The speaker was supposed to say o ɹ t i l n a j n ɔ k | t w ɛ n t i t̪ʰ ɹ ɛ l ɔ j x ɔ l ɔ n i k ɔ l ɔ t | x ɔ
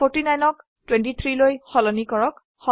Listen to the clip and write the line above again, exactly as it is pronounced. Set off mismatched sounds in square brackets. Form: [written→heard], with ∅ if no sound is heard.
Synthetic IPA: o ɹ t i [l→∅] n a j n ɔ k | t w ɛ n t i t̪ʰ ɹ [ɛ→i] l [ɔ→o] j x ɔ l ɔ n i k ɔ [l→ɹ] ɔ [t→k] | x ɔ